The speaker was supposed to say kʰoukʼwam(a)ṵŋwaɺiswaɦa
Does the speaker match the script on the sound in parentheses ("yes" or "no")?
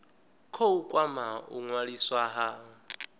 yes